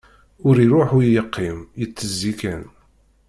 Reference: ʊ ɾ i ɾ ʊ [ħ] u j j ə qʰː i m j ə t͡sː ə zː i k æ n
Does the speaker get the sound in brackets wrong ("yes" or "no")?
no